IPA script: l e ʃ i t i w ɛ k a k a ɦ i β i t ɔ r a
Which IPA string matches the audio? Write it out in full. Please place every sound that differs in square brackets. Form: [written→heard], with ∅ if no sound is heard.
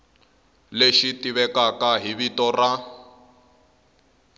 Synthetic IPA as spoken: l e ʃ i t i [w→β] ɛ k a k a ɦ i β i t ɔ r a